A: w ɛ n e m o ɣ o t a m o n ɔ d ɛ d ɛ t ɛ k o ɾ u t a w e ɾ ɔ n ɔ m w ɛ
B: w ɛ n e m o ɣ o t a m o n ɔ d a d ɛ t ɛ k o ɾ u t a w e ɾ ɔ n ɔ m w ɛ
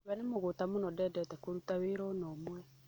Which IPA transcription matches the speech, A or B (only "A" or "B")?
A